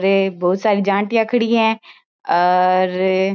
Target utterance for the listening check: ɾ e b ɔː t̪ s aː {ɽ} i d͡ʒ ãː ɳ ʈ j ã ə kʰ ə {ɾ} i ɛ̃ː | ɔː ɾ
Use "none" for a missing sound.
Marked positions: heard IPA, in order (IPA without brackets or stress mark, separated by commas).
ɾ, ɽ